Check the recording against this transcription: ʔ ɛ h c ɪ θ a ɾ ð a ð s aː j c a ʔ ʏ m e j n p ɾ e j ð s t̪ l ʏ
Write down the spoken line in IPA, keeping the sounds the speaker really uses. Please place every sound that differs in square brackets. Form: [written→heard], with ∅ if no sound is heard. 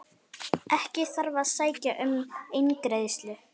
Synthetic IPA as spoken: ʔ ɛ h c ɪ θ a ɾ [ð→v] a ð s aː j c a ʔ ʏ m e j n [p→k] ɾ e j ð s t̪ l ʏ